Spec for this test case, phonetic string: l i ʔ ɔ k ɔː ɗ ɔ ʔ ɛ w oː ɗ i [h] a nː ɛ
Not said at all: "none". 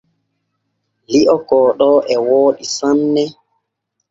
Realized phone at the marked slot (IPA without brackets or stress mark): s